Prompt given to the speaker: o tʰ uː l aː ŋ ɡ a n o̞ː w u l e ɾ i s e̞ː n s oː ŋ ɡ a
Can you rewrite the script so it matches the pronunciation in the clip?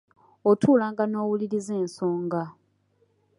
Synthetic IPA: o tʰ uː l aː ŋ ɡ a n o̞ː w u l i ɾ i z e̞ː n s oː ŋ ɡ a